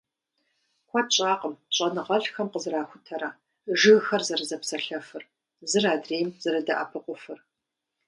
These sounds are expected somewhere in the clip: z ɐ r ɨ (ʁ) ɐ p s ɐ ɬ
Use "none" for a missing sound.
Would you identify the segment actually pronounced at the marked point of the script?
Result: z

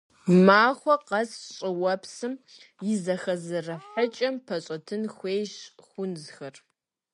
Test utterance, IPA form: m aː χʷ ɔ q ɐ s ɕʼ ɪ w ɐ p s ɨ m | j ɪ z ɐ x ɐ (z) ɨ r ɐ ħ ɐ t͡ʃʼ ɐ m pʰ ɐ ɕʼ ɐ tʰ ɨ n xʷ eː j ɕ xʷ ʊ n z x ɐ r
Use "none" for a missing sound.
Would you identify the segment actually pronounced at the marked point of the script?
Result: z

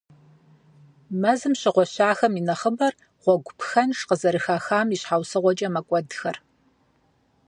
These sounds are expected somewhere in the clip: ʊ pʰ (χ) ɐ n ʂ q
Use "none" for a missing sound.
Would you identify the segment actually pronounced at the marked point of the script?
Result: x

